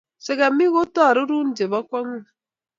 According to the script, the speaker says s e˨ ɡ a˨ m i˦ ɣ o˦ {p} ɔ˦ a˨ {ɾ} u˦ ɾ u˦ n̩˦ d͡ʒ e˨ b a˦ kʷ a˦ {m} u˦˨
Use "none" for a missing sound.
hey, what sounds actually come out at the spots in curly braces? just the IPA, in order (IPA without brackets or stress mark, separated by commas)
t, ɾ, ŋ